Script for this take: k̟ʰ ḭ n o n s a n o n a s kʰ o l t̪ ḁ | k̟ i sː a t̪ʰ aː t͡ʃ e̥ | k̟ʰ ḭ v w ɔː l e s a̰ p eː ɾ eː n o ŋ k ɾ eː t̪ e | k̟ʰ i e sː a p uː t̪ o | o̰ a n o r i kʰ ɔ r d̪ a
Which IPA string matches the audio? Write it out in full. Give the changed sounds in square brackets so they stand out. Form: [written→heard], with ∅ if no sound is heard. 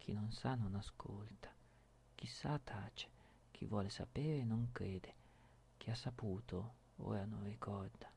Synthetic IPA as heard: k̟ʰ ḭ n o n s a n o n a s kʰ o l t̪ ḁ | k̟ i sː a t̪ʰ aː t͡ʃ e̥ | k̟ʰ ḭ v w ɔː l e s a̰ p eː ɾ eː n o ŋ k ɾ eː [t̪→d̪] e | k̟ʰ i [e→a] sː a p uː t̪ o | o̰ a n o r i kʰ ɔ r d̪ a

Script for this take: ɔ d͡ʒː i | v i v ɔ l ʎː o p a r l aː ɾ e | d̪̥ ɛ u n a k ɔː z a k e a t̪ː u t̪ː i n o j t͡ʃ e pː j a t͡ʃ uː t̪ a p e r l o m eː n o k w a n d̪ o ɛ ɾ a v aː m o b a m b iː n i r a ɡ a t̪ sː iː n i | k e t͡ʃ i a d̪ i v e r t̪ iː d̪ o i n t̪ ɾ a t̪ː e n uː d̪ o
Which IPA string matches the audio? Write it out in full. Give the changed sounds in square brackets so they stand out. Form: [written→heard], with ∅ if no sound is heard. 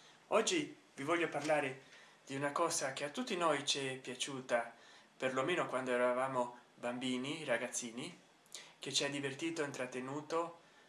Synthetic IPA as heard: ɔ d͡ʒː i | v i v ɔ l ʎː o p a r l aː ɾ e | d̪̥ [ɛ→i] u n a k ɔː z a k e a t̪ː u t̪ː i n o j t͡ʃ [e→ɛ] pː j a t͡ʃ uː t̪ a p e r l o m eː n o k w a n d̪ o ɛ ɾ a v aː m o b a m b iː n i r a ɡ a t̪ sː iː n i | k e t͡ʃ i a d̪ i v e r t̪ iː [d̪→t̪] o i n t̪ ɾ a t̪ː e n uː [d̪→t̪] o

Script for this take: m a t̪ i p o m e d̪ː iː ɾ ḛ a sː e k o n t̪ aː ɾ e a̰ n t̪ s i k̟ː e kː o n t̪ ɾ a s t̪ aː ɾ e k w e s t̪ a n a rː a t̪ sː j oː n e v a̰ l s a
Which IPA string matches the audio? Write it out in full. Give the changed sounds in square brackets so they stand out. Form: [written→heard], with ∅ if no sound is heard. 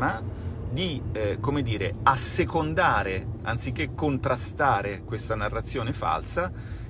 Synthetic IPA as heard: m a [t̪→d̪] i [p→k] o m e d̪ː iː ɾ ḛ a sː e k o n [t̪→d̪] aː ɾ e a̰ n t̪ s i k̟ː e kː o n t̪ ɾ a s t̪ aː ɾ e k w e s t̪ a n a rː a t̪ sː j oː n e [v→f] a̰ l s a

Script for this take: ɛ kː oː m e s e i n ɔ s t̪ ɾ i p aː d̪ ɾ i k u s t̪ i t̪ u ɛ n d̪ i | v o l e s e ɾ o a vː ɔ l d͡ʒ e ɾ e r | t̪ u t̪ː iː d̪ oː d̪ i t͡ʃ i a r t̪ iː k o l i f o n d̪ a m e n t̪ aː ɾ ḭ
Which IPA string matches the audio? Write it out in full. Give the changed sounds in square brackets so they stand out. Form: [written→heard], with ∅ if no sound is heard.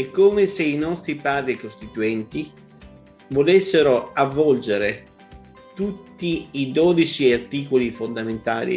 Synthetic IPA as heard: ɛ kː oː m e s e i n ɔ s t̪ ɾ i p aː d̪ ɾ i k [u→o] s t̪ i t̪ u ɛ n [d̪→t̪] i | v o l e [s→sː] e ɾ o a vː ɔ l d͡ʒ e ɾ e [r→∅] | t̪ u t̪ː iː d̪ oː d̪ i t͡ʃ i a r t̪ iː k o l i f o n d̪ a m e n t̪ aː [ɾ→l] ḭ

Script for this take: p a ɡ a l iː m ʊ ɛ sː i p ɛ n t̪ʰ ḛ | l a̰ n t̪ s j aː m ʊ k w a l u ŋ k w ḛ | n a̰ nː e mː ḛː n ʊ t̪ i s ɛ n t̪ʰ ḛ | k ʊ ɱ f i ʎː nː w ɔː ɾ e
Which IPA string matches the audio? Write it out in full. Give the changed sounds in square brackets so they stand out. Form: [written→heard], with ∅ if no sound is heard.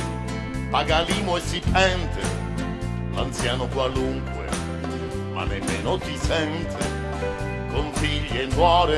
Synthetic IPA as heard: p a ɡ a l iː m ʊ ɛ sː i p ɛ n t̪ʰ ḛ | l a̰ n t̪ s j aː [m→n] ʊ k w a l u ŋ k w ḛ | [n→m] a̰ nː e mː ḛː n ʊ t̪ i s ɛ n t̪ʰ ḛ | k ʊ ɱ f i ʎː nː w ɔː ɾ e

